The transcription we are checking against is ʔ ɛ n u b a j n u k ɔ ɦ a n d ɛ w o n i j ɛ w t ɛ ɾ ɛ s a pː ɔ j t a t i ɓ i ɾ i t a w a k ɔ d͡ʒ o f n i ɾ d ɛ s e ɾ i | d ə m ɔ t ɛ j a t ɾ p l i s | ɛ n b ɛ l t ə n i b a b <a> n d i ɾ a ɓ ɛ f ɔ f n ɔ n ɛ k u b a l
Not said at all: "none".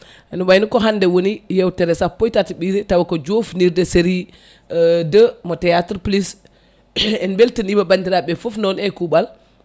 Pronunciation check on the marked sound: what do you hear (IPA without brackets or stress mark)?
a